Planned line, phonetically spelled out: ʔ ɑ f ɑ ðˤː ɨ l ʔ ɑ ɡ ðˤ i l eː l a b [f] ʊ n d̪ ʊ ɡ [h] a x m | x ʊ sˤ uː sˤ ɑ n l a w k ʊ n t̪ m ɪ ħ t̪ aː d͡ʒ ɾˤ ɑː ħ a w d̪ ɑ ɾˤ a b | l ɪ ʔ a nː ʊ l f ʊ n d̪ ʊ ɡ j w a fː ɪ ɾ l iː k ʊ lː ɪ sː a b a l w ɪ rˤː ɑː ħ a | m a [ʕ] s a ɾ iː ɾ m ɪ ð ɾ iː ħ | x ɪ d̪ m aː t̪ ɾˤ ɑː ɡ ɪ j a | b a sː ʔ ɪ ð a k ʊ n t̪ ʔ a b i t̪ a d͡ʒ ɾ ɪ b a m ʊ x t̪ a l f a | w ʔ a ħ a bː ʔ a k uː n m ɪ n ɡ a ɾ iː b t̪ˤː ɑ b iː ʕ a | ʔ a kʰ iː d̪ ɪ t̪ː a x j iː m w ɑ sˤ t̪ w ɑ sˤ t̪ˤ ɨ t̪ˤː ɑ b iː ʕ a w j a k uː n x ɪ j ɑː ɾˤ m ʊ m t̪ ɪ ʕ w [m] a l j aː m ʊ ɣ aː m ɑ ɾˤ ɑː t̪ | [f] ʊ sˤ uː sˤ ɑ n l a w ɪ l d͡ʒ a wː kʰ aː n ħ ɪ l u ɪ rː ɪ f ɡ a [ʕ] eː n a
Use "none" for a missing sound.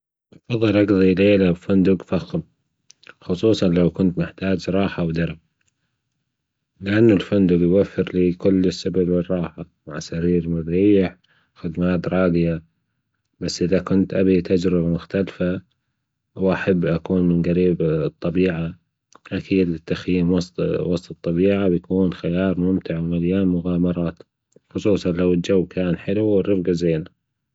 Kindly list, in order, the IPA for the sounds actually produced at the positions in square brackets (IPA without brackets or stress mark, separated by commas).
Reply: f, f, ʕ, m, x, z